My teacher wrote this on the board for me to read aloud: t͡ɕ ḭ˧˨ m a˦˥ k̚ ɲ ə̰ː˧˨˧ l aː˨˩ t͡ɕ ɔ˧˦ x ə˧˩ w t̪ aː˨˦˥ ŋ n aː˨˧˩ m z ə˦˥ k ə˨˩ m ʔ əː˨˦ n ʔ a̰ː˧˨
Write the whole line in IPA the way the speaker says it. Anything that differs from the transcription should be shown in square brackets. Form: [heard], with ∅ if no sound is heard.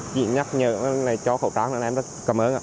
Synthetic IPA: t͡ɕ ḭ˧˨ [ɲ] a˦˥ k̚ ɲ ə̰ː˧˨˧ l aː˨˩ t͡ɕ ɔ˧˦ x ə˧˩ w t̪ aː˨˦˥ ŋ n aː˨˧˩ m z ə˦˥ k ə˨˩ m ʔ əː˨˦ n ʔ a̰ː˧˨